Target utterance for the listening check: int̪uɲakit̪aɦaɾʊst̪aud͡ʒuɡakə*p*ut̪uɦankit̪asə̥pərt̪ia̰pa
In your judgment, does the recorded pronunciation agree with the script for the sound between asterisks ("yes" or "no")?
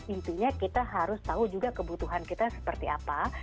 no